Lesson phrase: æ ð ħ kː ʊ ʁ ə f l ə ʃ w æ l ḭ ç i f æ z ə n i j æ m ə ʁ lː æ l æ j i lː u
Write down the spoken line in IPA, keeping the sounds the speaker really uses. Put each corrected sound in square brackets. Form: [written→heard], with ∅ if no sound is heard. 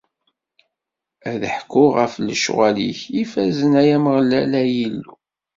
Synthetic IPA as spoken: æ ð ħ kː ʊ ʁ ə f l ə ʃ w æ l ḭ ç i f æ z ə n [i→æ] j æ m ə ʁ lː æ l æ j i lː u